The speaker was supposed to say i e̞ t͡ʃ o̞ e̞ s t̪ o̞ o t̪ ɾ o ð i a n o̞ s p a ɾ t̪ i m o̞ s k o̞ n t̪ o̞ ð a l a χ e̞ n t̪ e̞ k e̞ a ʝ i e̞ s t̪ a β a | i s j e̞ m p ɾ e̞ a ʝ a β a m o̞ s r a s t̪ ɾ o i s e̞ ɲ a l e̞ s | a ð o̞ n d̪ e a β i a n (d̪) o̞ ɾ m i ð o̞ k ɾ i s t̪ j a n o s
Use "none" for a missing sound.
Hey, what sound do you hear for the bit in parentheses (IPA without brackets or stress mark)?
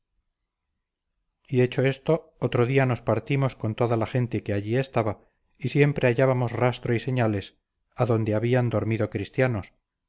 d̪